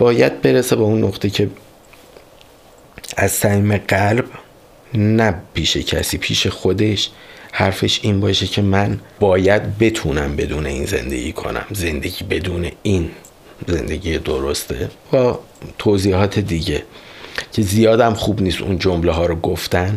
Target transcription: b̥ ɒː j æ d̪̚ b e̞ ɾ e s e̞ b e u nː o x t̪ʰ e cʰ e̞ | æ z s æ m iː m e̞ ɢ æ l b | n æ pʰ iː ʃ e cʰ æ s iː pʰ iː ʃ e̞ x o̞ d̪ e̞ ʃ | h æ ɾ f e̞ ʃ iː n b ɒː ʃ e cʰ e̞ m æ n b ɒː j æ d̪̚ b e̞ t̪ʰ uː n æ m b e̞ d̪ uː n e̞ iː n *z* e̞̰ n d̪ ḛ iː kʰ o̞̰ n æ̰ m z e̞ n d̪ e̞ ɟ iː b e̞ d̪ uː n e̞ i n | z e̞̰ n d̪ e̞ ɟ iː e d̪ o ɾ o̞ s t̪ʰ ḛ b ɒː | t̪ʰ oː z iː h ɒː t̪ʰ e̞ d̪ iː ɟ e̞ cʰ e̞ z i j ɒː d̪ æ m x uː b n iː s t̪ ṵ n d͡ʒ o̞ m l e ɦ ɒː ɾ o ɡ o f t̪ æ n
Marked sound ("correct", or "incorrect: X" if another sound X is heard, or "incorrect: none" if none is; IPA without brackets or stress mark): correct